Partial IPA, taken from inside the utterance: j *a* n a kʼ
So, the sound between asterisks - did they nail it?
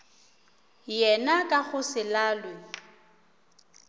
no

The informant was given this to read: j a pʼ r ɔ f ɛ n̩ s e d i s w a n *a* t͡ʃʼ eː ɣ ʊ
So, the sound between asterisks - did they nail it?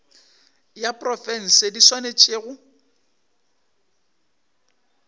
no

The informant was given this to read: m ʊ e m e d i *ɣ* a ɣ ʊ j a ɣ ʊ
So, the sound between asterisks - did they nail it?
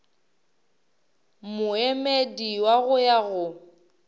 no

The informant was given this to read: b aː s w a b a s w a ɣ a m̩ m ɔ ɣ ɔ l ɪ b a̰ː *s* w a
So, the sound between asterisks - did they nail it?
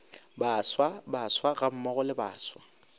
yes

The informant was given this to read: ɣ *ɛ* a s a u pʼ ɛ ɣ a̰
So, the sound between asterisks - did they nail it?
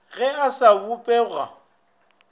yes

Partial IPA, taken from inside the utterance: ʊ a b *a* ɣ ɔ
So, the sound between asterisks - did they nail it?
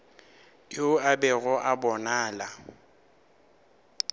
no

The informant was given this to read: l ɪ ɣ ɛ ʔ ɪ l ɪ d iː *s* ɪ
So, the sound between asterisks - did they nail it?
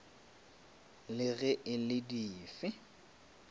no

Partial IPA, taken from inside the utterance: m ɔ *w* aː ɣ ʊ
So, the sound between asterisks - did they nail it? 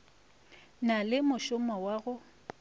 yes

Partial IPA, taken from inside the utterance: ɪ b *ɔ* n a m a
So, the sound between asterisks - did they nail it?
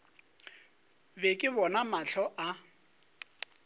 yes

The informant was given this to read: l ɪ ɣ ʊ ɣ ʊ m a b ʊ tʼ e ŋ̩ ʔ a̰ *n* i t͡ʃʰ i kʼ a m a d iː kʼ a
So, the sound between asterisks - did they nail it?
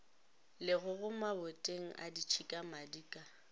no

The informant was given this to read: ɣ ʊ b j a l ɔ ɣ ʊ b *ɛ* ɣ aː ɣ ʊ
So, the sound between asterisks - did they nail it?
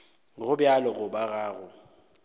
no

